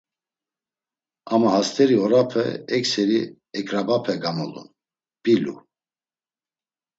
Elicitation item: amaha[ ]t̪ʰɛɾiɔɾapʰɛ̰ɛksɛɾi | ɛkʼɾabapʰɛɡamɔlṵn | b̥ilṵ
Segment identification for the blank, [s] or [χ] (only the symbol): s